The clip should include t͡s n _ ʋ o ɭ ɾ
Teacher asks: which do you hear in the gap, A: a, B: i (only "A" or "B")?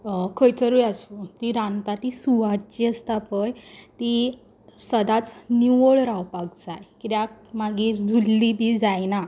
B